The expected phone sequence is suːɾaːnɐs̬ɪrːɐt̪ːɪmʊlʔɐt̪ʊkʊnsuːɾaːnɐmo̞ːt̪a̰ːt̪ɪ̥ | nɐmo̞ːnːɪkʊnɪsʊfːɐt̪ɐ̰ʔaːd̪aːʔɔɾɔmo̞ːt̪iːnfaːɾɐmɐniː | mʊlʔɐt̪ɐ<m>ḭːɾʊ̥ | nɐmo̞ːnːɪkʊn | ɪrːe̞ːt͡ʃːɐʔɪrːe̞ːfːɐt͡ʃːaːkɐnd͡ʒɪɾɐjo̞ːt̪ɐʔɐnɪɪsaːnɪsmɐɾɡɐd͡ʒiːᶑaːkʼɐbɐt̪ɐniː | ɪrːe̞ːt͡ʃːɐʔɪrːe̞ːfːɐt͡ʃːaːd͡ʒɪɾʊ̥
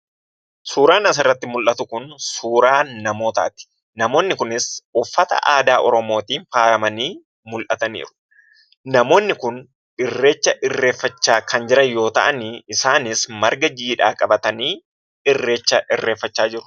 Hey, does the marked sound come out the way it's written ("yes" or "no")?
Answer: no